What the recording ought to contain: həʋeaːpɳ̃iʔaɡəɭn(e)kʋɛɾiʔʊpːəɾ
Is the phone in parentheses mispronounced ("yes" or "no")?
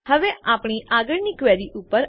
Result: yes